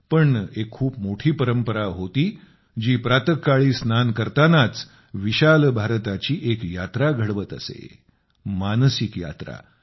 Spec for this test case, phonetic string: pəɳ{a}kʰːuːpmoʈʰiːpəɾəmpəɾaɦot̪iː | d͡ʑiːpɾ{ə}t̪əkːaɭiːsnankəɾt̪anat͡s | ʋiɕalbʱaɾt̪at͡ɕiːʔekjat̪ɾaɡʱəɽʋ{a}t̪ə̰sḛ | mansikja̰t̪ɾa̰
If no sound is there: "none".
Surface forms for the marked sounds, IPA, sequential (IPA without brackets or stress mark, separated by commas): e, a, ə